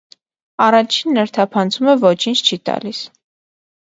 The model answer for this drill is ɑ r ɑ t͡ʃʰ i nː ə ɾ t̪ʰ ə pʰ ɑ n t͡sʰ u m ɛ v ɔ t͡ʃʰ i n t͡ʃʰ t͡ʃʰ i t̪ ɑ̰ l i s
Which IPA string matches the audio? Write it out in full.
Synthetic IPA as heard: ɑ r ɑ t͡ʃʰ i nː ə ɾ t̪ʰ ɑ pʰ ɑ n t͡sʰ u m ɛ v ɔ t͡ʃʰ i n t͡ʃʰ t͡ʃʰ i t̪ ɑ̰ l i s